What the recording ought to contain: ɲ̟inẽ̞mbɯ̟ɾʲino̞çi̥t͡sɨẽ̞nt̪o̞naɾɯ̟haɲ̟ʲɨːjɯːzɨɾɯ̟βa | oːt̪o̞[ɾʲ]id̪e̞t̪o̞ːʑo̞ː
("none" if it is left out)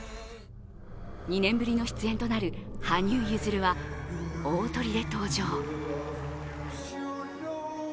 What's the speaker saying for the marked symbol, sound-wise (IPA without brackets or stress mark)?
ɾʲ